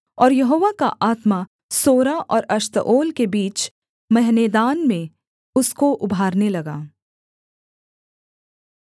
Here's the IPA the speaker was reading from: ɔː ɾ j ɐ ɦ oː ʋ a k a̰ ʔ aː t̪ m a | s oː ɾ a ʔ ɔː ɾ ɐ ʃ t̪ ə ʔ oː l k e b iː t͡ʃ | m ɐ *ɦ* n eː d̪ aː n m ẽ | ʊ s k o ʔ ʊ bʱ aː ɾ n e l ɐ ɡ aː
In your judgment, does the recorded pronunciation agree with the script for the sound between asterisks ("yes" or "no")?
yes